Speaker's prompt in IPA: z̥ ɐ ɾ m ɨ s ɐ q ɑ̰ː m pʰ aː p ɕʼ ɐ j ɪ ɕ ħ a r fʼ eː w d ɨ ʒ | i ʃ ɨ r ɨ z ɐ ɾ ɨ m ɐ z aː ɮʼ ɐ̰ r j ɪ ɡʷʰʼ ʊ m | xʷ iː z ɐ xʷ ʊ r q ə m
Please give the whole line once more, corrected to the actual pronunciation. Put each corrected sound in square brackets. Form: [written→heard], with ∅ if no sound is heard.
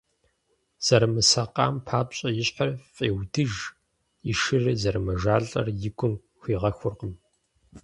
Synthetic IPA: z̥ ɐ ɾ m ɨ s ɐ q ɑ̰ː m pʰ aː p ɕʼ ɐ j ɪ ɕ ħ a r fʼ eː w d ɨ ʒ | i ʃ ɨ r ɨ z ɐ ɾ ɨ m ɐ [z→ʒ] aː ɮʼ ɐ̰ r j ɪ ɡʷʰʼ ʊ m | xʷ iː [z→ʁ] ɐ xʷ ʊ r q ə m